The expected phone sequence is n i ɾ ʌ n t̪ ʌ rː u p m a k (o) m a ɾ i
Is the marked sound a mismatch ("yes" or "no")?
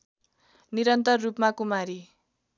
yes